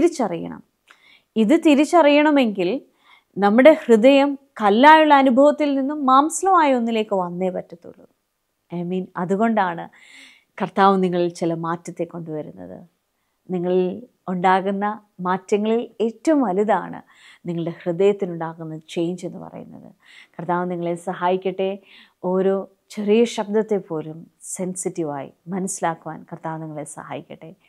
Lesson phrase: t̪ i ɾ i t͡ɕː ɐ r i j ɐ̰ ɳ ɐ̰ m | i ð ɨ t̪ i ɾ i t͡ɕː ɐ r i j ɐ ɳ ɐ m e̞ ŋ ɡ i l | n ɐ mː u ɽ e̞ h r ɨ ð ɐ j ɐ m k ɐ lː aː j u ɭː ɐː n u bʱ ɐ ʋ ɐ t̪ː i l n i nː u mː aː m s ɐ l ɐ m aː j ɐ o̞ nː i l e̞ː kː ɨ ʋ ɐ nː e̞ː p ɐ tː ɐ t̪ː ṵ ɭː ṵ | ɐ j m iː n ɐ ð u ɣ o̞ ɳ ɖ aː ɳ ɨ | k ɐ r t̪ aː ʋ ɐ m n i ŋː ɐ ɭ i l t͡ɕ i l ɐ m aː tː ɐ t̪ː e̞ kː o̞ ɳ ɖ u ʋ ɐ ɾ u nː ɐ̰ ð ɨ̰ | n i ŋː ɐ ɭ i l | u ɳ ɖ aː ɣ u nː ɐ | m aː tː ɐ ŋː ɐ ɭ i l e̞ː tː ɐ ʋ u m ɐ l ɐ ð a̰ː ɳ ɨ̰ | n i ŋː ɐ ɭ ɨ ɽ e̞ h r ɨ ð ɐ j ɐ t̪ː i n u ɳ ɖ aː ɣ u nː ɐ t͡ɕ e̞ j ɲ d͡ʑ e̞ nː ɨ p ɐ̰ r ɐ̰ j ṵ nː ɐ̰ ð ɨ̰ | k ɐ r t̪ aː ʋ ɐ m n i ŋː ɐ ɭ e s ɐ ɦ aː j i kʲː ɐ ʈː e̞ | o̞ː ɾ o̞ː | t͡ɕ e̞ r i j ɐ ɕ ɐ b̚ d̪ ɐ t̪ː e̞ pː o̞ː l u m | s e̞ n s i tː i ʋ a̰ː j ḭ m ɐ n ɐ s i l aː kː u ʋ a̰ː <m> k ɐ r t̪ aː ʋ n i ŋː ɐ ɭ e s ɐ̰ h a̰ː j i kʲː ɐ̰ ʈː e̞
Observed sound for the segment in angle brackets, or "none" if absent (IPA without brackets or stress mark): n